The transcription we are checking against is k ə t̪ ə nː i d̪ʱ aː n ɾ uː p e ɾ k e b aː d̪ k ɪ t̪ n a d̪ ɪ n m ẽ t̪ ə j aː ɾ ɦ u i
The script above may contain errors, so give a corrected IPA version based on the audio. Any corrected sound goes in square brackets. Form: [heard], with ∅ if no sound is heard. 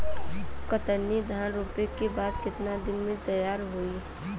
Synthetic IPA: k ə t̪ ə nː i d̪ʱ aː n ɾ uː p e [∅] k e b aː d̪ k ɪ t̪ n a d̪ ɪ n m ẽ t̪ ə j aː ɾ ɦ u i

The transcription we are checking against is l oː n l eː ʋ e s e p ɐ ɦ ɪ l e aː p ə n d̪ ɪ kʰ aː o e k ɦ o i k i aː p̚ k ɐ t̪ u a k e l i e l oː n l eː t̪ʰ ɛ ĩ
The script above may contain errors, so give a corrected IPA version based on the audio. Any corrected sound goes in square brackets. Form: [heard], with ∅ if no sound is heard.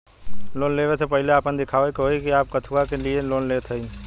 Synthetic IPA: l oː n l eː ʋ e s e p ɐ ɦ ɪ l e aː p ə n d̪ ɪ kʰ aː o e k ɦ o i k i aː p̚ k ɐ [t̪ʰ] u a k e l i e l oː n l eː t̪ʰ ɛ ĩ

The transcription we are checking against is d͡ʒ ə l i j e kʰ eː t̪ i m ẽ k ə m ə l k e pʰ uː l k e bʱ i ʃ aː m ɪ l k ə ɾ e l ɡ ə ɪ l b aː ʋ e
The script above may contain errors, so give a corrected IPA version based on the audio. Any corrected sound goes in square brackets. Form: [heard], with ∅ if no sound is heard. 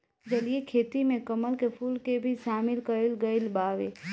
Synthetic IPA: d͡ʒ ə l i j e kʰ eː t̪ i m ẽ k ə m ə l k e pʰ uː l k e bʱ i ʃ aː m ɪ l k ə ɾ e l ɡ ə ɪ l b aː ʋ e

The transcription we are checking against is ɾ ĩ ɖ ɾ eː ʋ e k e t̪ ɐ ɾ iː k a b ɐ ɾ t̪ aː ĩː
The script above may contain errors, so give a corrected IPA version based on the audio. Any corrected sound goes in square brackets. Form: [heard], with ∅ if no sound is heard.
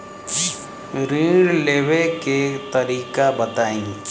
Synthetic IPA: ɾ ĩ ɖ [l] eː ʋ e k e t̪ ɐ ɾ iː k a b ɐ [∅] t̪ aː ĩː

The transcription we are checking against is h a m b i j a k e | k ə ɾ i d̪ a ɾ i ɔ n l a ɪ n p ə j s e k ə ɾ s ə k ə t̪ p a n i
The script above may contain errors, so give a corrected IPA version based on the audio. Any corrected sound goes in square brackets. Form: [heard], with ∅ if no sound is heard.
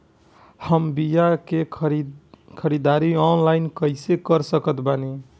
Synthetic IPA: h [ə] m b i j a k e | [kʰ] ə ɾ i d̪ a ɾ i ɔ n l a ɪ n [k] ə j s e k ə ɾ s ə k ə t̪ [b] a n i

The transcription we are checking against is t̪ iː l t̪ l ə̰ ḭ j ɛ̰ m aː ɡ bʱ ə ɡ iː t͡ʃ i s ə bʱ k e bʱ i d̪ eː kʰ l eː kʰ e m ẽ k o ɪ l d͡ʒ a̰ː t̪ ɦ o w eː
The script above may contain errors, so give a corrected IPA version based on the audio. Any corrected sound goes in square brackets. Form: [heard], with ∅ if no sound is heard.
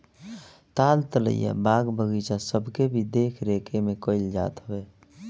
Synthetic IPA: t̪ [aː] l t̪ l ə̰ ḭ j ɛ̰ [b] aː ɡ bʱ ə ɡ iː t͡ʃ [a] s ə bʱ k e bʱ i d̪ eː kʰ [ɾ] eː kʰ e m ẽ k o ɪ l d͡ʒ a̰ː t̪ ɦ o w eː

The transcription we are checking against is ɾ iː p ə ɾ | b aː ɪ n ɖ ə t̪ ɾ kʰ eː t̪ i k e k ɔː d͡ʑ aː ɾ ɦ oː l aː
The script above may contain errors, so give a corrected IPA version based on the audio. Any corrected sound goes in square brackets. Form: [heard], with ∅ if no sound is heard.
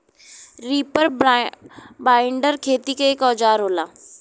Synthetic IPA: ɾ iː p ə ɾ | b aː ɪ [ɳ] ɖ ə [∅] ɾ kʰ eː t̪ i k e k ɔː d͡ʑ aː ɾ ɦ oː l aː

